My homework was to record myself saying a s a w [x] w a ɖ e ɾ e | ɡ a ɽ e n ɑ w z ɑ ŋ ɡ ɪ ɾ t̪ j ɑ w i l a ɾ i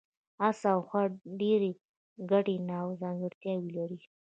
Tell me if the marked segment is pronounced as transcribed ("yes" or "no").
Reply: yes